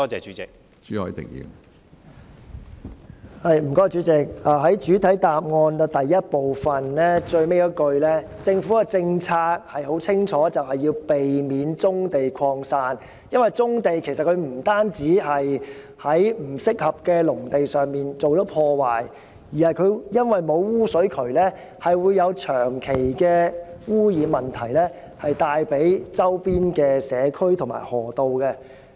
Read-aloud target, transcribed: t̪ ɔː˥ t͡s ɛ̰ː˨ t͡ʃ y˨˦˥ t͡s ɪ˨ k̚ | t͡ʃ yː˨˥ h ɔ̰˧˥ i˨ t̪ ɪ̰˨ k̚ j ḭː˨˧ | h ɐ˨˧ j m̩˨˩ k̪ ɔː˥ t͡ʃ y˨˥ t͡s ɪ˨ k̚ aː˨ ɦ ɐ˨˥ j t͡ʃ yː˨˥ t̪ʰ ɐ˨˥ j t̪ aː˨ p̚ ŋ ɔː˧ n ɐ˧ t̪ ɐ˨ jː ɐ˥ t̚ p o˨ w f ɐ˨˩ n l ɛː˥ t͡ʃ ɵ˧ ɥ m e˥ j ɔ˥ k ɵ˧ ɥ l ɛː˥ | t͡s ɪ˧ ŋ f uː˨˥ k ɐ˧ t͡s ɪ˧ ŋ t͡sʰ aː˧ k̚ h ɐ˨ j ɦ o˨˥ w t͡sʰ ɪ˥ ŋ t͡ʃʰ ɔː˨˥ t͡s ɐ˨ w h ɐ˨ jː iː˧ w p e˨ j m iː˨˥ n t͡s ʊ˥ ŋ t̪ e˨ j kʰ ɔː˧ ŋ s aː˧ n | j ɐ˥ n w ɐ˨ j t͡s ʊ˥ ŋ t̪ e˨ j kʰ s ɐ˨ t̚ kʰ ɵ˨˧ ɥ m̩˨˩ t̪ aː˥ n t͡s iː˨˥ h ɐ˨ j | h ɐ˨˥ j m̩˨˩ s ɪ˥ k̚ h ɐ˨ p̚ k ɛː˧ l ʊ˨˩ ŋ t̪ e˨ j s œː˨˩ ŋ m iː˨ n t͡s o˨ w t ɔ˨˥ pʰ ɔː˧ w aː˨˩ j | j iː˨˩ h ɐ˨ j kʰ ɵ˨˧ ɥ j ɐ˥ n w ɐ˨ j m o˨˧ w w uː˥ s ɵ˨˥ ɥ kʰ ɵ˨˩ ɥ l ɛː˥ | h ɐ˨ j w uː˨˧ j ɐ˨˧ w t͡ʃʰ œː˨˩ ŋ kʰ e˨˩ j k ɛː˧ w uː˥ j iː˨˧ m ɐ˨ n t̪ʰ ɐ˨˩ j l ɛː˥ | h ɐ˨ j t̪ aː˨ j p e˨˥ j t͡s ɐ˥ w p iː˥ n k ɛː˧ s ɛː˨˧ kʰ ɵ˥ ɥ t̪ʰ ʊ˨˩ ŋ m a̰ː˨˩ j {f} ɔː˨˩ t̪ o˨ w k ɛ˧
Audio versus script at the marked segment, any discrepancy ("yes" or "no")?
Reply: yes